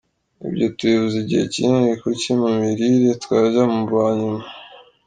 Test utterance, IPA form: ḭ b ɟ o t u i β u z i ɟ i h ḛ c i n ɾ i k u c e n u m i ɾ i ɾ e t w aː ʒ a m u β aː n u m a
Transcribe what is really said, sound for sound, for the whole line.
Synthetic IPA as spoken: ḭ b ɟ o t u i β u z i ɟ i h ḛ c i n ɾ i k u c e m u m i ɾ i ɾ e t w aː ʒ a m u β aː ɲ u m a